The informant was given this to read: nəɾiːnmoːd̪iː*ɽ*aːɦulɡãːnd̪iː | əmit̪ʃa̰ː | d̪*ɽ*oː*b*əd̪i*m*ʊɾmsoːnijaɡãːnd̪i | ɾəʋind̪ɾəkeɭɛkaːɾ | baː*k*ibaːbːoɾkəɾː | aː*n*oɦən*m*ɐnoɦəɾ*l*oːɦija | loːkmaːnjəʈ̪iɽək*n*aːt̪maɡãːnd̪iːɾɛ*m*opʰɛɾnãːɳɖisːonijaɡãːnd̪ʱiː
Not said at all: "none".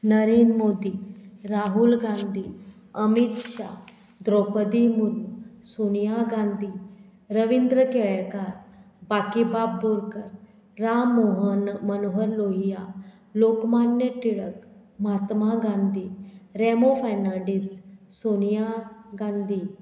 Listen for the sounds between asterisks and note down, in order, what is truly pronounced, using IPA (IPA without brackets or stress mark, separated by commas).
ɾ, ɾ, p, m, k, m, m, l, m, m